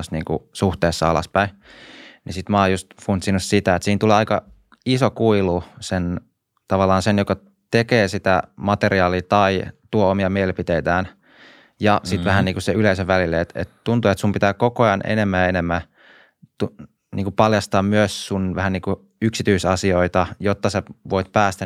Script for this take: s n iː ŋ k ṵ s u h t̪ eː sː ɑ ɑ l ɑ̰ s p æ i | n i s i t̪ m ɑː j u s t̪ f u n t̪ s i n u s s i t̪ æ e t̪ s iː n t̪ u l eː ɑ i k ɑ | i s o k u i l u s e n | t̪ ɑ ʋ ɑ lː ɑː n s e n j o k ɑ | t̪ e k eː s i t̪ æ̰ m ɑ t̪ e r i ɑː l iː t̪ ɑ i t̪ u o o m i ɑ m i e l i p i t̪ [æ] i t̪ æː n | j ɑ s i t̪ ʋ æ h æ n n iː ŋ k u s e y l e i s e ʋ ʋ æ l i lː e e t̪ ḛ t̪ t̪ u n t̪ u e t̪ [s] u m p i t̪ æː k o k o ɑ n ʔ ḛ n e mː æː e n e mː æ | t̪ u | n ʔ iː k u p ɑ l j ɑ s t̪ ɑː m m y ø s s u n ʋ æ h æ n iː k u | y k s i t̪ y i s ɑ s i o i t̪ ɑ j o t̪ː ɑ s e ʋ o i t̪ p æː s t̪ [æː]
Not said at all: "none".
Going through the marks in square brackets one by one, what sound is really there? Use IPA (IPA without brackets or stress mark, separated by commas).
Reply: e, s, æ